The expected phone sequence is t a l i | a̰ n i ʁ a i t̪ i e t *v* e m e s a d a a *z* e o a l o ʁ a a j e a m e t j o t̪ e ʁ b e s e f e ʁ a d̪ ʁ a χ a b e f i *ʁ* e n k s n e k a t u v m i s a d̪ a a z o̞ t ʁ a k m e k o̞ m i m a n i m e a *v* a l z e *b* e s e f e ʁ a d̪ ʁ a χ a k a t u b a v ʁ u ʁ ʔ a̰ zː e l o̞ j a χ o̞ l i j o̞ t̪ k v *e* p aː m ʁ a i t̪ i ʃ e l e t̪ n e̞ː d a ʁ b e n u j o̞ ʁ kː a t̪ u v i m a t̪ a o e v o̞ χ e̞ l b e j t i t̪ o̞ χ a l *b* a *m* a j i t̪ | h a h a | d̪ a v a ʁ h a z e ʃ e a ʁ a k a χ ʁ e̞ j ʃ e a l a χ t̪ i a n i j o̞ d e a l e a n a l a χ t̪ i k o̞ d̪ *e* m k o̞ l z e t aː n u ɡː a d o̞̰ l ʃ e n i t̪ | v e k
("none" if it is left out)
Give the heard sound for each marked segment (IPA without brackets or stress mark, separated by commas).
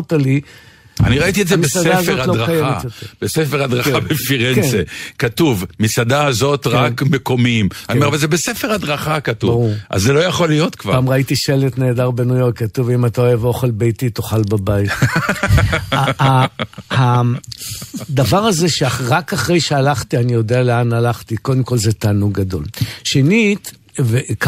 z, z, ʁ, v, b, a, b, b, e